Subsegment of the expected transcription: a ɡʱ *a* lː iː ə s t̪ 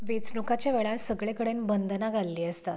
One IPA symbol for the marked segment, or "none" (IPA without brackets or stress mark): a